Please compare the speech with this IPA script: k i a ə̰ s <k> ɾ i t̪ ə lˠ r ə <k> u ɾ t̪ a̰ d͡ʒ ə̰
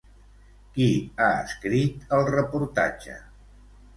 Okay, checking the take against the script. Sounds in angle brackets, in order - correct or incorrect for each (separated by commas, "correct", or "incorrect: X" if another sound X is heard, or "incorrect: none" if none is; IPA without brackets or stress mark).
correct, incorrect: p